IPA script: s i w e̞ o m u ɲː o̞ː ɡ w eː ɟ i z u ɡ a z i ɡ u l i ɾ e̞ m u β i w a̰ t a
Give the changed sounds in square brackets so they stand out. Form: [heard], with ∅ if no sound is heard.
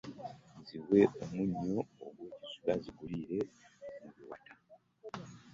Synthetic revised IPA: [z] i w e̞ o m u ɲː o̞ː ɡ w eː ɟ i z u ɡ a z i ɡ u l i ɾ e̞ m u β i w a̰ t a